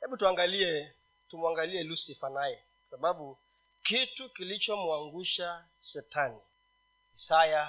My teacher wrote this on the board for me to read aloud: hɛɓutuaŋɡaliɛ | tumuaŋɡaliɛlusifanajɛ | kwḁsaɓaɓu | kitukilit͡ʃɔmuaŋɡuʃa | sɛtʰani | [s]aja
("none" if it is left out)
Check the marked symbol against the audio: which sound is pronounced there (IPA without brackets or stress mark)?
s